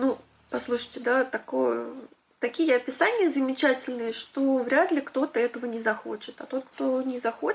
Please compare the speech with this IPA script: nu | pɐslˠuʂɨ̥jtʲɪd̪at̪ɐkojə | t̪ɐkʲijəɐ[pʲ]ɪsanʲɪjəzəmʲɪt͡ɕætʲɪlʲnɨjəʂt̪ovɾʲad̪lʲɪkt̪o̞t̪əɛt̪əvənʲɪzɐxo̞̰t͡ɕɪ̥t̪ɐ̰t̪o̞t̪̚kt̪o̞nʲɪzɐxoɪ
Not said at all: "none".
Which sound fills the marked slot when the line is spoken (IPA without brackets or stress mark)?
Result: pʲ